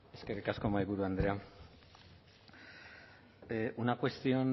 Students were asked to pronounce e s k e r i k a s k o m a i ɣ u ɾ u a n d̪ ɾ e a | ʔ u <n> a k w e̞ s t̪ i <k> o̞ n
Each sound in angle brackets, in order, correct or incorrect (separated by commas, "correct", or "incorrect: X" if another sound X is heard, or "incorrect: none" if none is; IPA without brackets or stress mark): correct, incorrect: none